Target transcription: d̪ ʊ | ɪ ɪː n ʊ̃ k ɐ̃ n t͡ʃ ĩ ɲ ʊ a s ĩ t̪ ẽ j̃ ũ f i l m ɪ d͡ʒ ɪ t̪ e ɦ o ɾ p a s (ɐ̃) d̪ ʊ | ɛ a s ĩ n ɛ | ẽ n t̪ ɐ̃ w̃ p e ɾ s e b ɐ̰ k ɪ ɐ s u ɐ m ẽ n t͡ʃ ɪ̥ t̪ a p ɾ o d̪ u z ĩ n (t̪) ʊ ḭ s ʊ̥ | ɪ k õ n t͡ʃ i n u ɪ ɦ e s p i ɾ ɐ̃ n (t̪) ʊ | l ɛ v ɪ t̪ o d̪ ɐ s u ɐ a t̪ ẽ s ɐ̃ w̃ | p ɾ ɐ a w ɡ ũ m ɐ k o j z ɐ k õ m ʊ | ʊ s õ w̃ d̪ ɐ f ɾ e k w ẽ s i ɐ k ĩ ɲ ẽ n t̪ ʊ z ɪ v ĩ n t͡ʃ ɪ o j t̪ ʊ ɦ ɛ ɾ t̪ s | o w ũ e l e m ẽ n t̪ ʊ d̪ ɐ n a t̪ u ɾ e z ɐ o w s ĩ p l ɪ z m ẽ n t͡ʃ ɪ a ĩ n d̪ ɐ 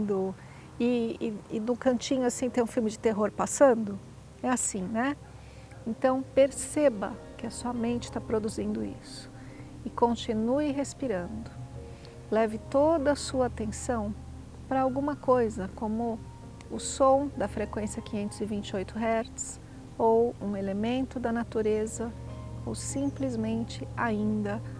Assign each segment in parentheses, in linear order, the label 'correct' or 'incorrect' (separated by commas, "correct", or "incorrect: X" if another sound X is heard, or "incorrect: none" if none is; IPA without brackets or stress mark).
correct, incorrect: d̪, incorrect: d̪